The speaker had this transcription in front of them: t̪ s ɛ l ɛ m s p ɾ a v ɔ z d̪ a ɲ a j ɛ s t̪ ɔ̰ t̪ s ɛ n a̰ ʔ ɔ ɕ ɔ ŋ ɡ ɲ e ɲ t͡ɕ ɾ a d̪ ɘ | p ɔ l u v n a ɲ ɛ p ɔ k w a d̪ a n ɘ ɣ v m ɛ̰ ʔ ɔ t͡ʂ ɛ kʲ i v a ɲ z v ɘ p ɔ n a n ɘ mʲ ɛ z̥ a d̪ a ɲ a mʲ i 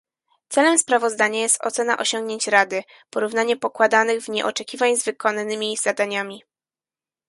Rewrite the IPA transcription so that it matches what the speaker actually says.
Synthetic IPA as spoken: t̪ s ɛ l ɛ m s p ɾ a v ɔ z d̪ a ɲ a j ɛ s t̪ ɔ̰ t̪ s ɛ n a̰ ʔ ɔ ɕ ɔ ŋ ɡ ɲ e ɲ t͡ɕ ɾ a d̪ ɘ | p ɔ ɾ u v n a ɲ ɛ p ɔ k w a d̪ a n ɘ ɣ v ɲ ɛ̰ ʔ ɔ t͡ʂ ɛ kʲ i v a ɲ z v ɘ k ɔ n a n ɘ mʲ i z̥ a d̪ a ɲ a mʲ i

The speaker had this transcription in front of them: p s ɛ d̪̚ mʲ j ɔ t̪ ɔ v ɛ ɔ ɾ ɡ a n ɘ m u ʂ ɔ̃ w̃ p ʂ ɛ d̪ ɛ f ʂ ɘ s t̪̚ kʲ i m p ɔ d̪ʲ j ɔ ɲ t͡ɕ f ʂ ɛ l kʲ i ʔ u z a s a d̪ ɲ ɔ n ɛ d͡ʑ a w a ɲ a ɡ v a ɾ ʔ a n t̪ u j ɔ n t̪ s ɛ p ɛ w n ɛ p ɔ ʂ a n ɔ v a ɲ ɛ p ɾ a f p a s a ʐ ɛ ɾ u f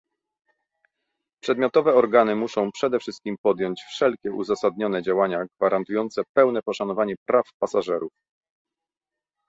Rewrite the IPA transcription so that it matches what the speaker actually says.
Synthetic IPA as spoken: p ʂ ɛ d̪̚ mʲ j ɔ t̪ ɔ v ɛ ɔ ɾ ɡ a n ɘ m u ʂ ɔ̃ w̃ p ʂ ɛ d̪ ɛ f ʂ ɘ s t̪̚ kʲ i m p ɔ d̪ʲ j ɔ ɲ t͡ɕ f ʂ ɛ l kʲ ɛ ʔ u z a s a d̪ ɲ ɔ n ɛ d͡ʑ a w a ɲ a ɡ v a ɾ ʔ a n t̪ u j ɔ n t̪ s ɛ p ɛ w n ɛ p ɔ ʂ a n ɔ v a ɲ ɛ p ɾ a f p a s a ʐ ɛ ɾ u f

